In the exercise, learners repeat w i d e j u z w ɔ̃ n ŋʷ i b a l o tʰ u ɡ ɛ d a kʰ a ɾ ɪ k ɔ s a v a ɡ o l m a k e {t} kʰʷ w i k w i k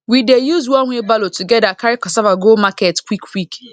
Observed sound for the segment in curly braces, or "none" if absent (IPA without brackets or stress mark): t